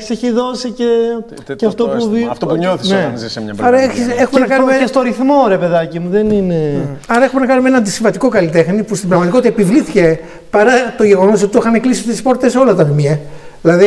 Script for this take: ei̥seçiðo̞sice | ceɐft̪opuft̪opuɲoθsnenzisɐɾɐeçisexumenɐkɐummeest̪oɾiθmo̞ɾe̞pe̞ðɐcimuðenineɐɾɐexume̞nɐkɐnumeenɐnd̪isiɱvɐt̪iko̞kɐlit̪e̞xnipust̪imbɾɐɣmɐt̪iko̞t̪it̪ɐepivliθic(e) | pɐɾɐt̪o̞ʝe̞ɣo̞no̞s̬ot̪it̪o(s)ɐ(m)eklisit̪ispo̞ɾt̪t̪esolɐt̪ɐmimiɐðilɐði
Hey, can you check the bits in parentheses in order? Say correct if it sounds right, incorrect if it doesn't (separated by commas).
correct, incorrect, incorrect